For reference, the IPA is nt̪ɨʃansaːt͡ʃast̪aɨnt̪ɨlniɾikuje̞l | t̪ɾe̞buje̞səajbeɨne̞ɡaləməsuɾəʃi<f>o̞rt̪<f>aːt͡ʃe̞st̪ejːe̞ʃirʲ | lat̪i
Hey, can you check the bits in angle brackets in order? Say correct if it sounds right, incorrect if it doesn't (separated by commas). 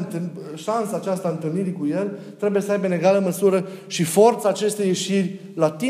correct, incorrect